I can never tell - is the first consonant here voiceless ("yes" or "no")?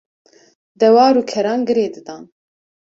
no